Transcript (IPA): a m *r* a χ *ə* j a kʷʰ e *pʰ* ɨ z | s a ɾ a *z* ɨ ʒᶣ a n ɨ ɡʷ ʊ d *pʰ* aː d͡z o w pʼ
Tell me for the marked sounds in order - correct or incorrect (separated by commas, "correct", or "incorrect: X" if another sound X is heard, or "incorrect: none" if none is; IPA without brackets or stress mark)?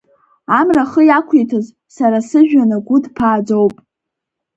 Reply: correct, correct, incorrect: tʰ, incorrect: s, correct